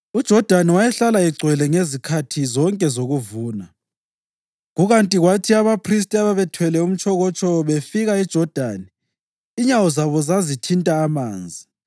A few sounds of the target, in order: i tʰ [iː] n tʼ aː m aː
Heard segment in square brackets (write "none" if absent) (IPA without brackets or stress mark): i